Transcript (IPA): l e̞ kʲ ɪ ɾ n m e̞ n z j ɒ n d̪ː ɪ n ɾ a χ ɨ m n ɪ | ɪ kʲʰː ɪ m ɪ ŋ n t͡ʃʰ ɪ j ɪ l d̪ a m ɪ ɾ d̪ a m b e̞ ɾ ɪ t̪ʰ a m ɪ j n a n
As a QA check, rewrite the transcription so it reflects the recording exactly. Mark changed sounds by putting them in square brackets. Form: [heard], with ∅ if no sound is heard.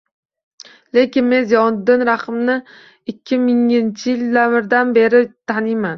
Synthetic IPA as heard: l e̞ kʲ ɪ [∅] n m e̞ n z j ɒ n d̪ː ɪ n ɾ a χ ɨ m n ɪ | ɪ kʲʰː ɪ m ɪ ŋ n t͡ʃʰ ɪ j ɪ l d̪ a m ɪ ɾ d̪ a [n] b e̞ ɾ ɪ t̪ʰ a [n] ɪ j [m] a n